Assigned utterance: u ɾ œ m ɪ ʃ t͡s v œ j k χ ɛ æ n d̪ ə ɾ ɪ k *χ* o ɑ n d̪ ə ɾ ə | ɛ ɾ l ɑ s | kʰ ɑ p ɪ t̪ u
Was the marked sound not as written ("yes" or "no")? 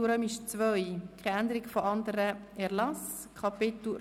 yes